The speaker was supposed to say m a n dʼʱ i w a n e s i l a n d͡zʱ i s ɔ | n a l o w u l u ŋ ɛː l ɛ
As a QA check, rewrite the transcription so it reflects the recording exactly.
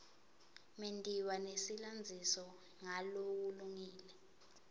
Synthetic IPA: m e n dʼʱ i w a n e s i l a n d͡zʱ i s ɔ | ŋ a l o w u l u ŋ iː l ɛ